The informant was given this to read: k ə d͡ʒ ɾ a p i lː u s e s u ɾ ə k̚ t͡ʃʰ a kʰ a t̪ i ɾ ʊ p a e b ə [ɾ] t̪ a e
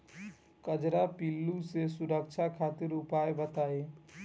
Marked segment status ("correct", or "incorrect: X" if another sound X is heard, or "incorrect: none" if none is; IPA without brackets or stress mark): incorrect: none